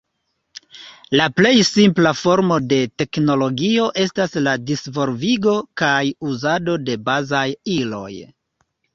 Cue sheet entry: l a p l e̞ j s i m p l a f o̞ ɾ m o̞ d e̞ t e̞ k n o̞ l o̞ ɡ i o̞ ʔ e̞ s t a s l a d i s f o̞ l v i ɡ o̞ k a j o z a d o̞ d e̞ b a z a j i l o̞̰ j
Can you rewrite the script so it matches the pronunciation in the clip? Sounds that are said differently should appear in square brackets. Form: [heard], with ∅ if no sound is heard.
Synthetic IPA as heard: l a p l e̞ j s i m p l a f o̞ ɾ m o̞ d e̞ t e̞ k n o̞ l o̞ ɡ i o̞ ʔ e̞ s t a s l a d i s [v] o̞ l v i ɡ o̞ k a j [u] z a d o̞ d e̞ b a z a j i l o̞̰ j